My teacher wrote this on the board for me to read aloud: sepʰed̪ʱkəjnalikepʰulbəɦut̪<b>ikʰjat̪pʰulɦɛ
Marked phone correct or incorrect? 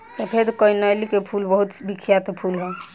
correct